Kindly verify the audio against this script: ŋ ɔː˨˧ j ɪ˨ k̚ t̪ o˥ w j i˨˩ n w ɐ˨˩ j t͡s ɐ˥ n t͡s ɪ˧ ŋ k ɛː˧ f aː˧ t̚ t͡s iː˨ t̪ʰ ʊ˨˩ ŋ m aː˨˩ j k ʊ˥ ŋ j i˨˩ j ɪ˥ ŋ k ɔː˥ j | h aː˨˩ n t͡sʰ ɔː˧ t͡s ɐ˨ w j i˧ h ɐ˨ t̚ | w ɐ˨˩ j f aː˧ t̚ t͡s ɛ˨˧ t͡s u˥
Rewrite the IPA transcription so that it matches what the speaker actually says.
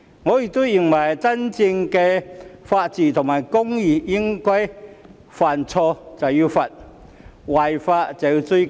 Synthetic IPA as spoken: ŋ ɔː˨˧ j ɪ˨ k̚ t̪ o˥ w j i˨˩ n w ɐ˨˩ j t͡s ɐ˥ n t͡s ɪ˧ ŋ k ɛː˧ f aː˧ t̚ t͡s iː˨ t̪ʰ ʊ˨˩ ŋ m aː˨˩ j k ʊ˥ ŋ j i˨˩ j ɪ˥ ŋ k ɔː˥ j | f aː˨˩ n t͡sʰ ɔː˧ t͡s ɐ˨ w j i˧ f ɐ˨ t̚ | w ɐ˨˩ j f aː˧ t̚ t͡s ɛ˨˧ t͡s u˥

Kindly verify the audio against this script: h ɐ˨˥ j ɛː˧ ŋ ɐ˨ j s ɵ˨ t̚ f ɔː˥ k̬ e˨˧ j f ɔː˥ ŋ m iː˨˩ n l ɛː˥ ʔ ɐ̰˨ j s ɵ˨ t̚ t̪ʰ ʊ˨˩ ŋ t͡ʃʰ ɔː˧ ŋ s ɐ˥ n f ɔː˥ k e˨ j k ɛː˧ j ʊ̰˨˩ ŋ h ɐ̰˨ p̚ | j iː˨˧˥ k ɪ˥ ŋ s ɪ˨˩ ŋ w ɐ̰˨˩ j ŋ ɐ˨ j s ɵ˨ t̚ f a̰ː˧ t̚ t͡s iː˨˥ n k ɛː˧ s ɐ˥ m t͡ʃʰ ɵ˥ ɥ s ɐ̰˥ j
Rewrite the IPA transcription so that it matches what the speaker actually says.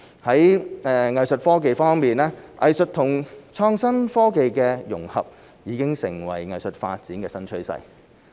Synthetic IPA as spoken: h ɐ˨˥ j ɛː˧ ŋ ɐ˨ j s ɵ˨ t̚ f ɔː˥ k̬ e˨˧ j f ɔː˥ ŋ m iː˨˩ n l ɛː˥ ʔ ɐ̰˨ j s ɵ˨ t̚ t̪ʰ ʊ˨˩ ŋ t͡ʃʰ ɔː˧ ŋ s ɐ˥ n f ɔː˥ k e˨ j k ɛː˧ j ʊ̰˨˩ ŋ h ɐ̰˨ p̚ | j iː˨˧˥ k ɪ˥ ŋ s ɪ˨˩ ŋ w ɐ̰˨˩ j ŋ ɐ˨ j s ɵ˨ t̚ f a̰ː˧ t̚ t͡s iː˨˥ n k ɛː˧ s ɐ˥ n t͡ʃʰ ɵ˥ ɥ s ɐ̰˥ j

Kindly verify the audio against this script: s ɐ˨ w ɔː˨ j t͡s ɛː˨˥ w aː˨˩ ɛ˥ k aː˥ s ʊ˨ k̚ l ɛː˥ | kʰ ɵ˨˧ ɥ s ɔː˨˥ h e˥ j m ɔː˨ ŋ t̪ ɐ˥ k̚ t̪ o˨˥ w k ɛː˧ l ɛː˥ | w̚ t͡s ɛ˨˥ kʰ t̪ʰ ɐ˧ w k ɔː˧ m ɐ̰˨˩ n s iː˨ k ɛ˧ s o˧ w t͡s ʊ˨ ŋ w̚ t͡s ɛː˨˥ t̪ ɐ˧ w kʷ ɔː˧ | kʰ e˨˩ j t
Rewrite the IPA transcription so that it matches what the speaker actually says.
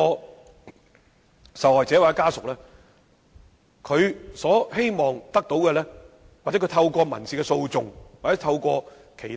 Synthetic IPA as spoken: s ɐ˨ w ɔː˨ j t͡s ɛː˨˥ w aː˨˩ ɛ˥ k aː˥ s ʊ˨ k̚ l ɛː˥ | kʰ ɵ˨˧ ɥ s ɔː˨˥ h e˥ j m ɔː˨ ŋ t̪ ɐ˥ k̚ t̪ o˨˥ w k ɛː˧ l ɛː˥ | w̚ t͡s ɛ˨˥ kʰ t̪ʰ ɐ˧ w k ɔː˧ m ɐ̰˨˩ n s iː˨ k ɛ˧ s o˧ w t͡s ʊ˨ ŋ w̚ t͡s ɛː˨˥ t̪ʰ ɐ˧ w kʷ ɔː˧ | kʰ e˨˩ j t

